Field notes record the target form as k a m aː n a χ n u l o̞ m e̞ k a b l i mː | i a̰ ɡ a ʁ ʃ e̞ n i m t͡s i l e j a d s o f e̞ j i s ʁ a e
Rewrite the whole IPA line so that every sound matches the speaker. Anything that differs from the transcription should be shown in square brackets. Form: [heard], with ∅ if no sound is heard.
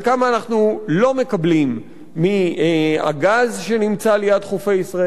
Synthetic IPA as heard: k a m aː n a χ n u l o̞ m e̞ k a b l i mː | i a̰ ɡ a [z] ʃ e̞ n i m t͡s [a] l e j a d [χ] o f e̞ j i s ʁ a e